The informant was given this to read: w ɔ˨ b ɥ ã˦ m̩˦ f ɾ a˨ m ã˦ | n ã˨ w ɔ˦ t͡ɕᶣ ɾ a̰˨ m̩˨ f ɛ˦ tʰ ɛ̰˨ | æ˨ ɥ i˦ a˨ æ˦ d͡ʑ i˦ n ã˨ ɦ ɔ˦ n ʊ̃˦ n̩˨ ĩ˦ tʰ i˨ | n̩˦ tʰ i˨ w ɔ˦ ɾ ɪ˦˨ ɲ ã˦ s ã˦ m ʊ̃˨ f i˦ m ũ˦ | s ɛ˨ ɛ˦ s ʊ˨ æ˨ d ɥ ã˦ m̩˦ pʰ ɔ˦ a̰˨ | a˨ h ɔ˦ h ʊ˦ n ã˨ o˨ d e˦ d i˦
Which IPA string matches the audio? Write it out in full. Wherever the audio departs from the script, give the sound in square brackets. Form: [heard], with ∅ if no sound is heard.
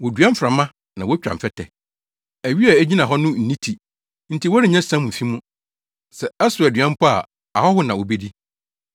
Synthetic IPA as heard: w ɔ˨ [d] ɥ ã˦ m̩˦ f ɾ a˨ m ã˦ | n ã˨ w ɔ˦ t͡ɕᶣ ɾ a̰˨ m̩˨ f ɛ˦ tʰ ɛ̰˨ | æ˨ ɥ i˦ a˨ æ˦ d͡ʑ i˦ n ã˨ ɦ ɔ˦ n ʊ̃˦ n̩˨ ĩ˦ tʰ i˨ | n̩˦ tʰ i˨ w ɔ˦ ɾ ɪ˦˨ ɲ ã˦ s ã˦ m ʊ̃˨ f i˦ m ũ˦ | s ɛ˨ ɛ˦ s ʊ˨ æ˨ d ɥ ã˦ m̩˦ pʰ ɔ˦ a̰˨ | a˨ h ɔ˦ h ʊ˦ n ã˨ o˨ [b] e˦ d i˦